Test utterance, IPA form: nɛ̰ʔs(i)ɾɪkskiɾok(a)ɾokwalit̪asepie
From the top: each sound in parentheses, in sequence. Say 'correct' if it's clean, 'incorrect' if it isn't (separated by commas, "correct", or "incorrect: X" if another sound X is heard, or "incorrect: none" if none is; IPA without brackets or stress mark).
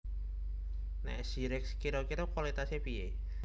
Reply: correct, incorrect: i